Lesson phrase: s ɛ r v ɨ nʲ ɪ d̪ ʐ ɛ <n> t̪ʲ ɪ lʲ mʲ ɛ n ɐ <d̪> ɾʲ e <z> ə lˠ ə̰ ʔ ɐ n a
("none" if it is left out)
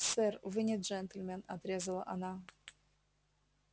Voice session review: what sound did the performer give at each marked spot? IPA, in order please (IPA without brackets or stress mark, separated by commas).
n, t̪, z